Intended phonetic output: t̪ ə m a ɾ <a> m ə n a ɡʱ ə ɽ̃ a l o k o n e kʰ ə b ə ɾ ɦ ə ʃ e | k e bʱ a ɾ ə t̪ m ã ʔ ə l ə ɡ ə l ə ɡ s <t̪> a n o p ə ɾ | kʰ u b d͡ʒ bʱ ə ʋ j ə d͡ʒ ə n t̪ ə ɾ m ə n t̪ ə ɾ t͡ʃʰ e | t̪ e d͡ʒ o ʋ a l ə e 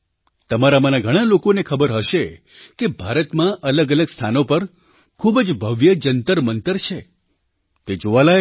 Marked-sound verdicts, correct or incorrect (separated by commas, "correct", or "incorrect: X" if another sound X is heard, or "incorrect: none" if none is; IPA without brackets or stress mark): correct, incorrect: t̪ʰ